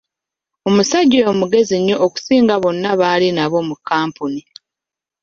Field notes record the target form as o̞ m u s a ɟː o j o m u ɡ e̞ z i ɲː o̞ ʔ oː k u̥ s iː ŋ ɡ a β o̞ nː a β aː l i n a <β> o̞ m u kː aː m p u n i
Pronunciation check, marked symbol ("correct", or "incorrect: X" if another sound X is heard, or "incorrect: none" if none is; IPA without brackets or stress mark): correct